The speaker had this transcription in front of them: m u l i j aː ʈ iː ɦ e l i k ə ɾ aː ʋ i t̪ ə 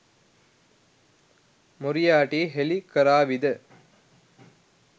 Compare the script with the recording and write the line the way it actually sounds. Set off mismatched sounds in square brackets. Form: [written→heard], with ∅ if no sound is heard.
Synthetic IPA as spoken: m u [l→ɾ] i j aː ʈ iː ɦ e l i k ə ɾ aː ʋ i [t̪→d̪] ə